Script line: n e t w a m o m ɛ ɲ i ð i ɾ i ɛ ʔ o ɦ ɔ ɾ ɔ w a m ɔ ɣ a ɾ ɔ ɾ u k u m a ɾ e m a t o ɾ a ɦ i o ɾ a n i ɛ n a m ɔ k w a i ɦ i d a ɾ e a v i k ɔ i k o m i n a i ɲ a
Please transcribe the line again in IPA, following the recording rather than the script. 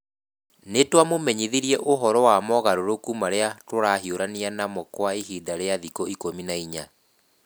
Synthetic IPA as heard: n e t w a m o m ɛ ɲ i ð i ɾ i ɛ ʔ o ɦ ɔ ɾ ɔ w a m ɔ ɣ a ɾ o ɾ o k u m a ɾ e a t o ɾ a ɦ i o ɾ a n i a n a m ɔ k w a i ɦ i d a ɾ e a ð i k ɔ i k o m i n a i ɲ a